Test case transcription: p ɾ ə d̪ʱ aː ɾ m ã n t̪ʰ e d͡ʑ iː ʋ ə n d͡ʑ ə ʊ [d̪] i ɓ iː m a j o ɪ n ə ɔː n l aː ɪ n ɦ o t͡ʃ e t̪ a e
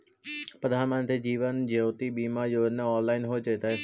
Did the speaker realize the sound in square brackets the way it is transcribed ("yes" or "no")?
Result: no